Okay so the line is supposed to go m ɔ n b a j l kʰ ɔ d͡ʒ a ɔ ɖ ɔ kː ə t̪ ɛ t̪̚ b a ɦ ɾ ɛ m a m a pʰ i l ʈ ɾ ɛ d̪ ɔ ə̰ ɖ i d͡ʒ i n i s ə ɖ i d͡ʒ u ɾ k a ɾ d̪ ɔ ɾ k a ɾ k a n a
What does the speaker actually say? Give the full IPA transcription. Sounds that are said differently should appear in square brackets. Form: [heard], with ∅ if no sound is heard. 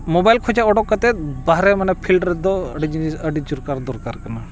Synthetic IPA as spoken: m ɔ [∅] b a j l kʰ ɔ d͡ʒ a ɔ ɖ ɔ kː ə t̪ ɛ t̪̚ b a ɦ ɾ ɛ m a [n] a pʰ i l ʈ ɾ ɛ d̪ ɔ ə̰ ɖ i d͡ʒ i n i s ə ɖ i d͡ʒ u ɾ k a ɾ d̪ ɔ ɾ k a ɾ k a n a